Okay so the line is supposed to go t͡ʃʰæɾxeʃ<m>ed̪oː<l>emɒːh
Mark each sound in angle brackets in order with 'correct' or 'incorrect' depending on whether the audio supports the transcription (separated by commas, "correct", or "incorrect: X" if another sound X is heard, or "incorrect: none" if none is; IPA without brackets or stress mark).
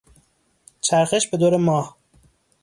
incorrect: b, incorrect: ɾ